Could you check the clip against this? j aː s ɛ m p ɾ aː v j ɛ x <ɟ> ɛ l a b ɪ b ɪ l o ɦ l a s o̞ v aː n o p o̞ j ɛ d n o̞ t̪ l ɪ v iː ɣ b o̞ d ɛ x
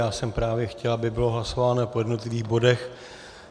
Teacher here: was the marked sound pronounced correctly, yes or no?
no